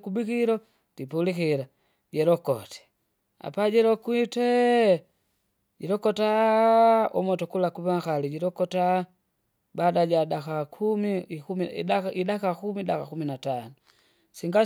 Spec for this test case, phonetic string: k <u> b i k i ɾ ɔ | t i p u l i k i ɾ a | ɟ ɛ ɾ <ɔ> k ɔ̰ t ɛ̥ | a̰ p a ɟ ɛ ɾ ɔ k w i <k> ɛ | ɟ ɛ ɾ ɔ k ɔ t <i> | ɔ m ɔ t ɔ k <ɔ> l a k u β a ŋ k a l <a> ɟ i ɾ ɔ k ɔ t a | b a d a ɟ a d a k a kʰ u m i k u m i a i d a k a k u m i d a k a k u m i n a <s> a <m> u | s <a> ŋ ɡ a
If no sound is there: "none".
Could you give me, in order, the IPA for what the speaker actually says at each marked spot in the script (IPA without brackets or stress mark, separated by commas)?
u, ɔ, t, a, u, i, t, n, i